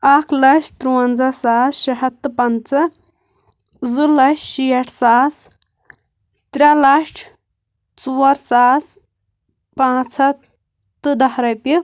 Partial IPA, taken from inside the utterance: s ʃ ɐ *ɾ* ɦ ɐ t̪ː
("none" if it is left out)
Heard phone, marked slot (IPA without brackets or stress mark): none